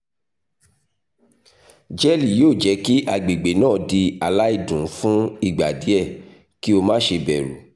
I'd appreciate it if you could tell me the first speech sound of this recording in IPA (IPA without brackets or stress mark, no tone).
d͡ʒ